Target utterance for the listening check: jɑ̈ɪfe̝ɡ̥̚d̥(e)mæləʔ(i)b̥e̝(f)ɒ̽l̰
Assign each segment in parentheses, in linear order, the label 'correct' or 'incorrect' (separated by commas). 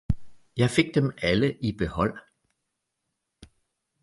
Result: correct, correct, incorrect